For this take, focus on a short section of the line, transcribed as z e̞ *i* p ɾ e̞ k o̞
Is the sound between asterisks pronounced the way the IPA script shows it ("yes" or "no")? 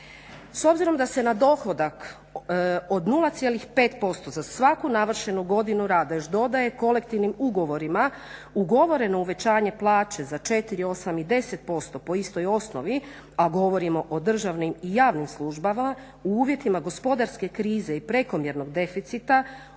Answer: yes